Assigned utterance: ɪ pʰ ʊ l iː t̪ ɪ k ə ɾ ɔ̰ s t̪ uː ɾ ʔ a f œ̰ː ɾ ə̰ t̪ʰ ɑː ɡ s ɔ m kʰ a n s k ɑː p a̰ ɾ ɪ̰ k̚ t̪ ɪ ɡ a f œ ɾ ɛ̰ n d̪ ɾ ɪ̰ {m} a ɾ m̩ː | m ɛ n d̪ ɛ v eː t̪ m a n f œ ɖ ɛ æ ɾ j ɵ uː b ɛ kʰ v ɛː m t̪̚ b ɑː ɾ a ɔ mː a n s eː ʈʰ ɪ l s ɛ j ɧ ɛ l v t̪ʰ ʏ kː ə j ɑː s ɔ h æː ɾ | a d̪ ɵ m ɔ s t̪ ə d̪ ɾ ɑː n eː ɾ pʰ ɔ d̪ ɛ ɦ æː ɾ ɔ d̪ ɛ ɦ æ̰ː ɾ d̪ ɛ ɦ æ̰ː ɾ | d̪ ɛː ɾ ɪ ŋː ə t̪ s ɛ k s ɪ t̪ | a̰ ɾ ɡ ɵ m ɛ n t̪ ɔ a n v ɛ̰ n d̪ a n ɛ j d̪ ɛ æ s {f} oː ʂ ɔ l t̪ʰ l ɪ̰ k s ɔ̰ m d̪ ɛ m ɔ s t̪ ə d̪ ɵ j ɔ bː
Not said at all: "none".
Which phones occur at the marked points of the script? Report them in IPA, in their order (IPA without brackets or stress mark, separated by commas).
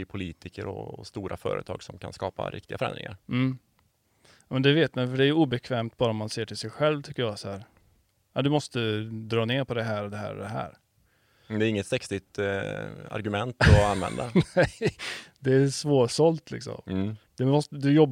ŋ, v